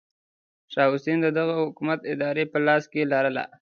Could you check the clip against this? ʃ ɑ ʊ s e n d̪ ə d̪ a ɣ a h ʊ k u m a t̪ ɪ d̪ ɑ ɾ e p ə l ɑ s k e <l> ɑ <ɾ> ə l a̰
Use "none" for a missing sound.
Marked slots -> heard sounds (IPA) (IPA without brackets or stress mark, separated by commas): l, ɾ